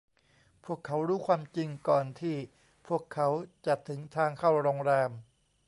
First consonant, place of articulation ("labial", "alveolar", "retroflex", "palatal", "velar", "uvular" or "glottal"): labial